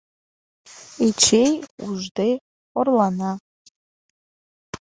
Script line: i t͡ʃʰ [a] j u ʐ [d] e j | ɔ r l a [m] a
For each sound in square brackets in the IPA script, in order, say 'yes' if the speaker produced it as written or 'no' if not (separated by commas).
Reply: no, yes, no